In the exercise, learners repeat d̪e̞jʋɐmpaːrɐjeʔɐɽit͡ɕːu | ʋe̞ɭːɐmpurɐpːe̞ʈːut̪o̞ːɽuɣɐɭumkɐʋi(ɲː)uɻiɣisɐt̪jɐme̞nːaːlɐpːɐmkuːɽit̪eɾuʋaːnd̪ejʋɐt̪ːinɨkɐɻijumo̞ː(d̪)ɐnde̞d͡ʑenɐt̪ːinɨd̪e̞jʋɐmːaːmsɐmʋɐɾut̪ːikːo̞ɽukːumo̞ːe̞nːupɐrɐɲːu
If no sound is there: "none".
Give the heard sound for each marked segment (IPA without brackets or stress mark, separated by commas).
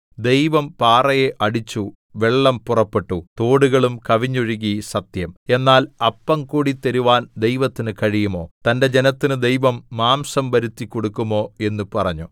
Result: ɲː, t̪